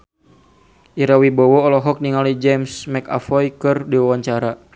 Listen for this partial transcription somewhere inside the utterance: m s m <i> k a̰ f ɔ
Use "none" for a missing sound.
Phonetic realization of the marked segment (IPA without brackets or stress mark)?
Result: ɛ